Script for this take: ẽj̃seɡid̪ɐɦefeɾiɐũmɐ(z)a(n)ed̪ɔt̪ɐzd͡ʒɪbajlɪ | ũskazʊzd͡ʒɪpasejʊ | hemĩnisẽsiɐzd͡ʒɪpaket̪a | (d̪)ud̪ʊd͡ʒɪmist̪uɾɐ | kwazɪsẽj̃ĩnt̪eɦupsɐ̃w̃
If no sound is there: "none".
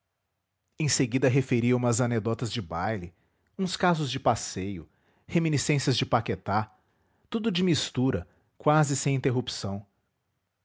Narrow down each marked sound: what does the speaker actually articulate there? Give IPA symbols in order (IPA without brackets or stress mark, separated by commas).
z, n, t̪